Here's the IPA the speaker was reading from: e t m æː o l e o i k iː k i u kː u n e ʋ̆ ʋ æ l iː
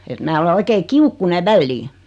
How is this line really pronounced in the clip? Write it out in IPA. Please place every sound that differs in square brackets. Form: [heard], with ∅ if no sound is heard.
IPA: e t m æː o l e o i k [eː] k i u kː u n e ʋ̆ ʋ æ [lː] iː